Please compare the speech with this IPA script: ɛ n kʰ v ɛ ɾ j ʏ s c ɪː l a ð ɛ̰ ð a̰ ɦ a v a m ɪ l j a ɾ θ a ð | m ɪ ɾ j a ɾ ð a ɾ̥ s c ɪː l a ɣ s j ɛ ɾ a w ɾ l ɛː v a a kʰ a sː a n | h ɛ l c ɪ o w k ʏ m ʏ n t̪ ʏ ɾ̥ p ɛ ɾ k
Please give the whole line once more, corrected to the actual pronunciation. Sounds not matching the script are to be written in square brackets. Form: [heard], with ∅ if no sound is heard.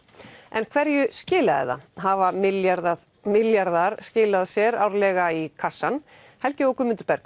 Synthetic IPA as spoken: ɛ n kʰ v ɛ ɾ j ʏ s c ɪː l a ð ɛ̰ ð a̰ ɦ a v a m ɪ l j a ɾ [ð] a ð | m ɪ [l] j a ɾ ð a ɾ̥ s c ɪː l a [ð] s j ɛ ɾ a w ɾ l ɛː [ɣ] a [i] kʰ a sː a n | h ɛ l c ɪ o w k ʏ m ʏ n t̪ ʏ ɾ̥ p ɛ ɾ k